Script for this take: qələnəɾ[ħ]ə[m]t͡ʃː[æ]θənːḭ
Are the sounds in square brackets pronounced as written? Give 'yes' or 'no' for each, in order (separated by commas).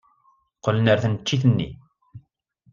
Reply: no, no, no